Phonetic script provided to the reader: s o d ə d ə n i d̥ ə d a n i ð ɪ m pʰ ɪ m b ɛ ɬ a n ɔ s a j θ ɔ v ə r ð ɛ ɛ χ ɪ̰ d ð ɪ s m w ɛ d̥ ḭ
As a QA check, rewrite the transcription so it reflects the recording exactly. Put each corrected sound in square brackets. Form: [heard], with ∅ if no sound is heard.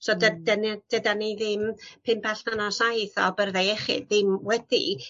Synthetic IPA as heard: s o d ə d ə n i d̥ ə d a n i ð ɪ m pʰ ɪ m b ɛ ɬ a n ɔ s a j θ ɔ [b] ə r ð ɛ ɛ χ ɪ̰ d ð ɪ [∅] m w ɛ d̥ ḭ